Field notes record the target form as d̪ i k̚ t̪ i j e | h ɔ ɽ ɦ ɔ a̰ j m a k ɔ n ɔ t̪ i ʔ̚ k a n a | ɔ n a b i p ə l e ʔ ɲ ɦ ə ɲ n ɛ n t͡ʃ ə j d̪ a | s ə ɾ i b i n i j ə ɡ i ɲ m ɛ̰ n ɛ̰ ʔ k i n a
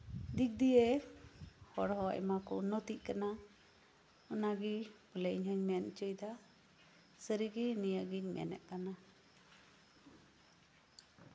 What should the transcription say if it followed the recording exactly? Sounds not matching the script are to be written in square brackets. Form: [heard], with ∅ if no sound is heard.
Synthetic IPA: d̪ i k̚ [d̪] i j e | h ɔ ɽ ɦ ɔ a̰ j m a k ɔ n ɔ t̪ i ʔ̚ k a n a | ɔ n a [ɡ] i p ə l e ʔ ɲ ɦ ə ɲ n ɛ n t͡ʃ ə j d̪ a | s ə ɾ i [ɡ] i n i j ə ɡ i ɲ m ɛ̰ n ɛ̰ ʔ k [a] n a

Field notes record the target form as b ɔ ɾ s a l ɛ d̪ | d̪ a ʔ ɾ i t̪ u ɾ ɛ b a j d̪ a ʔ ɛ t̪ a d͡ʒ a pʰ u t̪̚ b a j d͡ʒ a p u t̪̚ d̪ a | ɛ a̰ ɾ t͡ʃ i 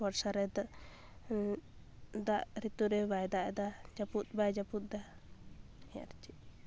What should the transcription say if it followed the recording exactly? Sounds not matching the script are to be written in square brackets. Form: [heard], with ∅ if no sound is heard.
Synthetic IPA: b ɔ ɾ s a [ɾ] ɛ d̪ | d̪ a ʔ ɾ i t̪ u ɾ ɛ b a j d̪ a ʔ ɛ [d̪] a d͡ʒ a [p] u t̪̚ b a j d͡ʒ a p u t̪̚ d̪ a | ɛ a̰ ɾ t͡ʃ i

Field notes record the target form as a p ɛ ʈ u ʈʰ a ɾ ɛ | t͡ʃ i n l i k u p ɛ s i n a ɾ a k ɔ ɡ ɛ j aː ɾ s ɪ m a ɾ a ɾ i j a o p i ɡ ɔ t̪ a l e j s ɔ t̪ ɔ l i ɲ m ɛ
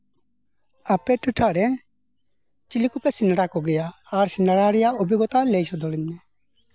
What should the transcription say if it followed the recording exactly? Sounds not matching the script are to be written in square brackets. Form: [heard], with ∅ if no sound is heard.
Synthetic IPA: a p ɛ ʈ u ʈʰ a ɾ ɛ | t͡ʃ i [∅] l i k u p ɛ s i n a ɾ a k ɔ ɡ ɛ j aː ɾ s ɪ [n] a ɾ a ɾ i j a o [b] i ɡ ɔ t̪ a l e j s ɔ [d̪] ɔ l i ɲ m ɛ

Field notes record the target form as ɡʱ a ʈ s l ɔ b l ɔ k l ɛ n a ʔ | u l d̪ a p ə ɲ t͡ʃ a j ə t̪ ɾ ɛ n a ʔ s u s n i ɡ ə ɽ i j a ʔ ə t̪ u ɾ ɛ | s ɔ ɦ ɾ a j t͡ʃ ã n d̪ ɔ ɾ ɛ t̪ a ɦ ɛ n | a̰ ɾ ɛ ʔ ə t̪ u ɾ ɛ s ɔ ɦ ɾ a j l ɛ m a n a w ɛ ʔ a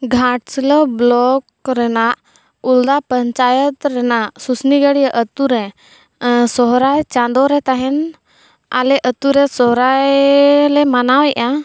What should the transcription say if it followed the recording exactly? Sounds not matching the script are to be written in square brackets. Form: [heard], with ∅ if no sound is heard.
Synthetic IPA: ɡʱ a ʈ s l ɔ b l ɔ k [ɾ] ɛ n a ʔ | u l d̪ a p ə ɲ t͡ʃ a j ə t̪ ɾ ɛ n a ʔ s u s n i ɡ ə ɽ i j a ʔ ə t̪ u ɾ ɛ | s ɔ ɦ ɾ a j t͡ʃ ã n d̪ ɔ ɾ ɛ t̪ a ɦ ɛ n | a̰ [l] ɛ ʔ ə t̪ u ɾ ɛ s ɔ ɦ ɾ a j l ɛ m a n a w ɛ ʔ a

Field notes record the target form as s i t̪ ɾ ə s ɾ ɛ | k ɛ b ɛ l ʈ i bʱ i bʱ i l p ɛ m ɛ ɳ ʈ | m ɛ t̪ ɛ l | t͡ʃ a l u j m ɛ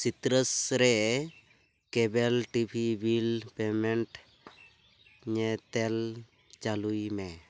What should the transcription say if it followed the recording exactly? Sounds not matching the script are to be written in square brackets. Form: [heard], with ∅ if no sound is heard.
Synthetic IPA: s i t̪ ɾ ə s ɾ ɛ | k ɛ b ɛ l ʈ i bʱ i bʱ i l p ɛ m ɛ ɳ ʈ | [ɲ] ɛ t̪ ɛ l | t͡ʃ a l u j m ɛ

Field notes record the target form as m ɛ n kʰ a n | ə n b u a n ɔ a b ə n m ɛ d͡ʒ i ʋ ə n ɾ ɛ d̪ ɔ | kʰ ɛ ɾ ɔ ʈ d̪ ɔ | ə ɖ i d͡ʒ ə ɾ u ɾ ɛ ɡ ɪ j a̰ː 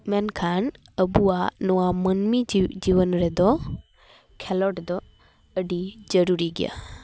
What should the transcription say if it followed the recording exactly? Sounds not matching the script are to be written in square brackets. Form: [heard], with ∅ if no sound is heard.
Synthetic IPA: m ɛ n kʰ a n | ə [∅] b u a n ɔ a [m] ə n m [i] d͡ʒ i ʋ ə n ɾ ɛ d̪ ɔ | kʰ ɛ [l] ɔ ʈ d̪ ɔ | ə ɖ i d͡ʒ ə ɾ u ɾ [i] ɡ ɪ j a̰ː

